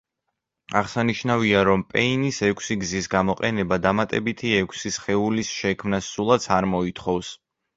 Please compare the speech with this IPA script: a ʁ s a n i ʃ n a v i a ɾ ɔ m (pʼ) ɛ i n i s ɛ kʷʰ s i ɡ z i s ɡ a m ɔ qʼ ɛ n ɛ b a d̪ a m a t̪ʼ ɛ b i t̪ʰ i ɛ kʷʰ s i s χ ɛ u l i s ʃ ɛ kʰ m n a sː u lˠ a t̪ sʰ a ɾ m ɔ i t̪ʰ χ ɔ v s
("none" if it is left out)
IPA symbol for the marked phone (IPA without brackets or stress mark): pʼ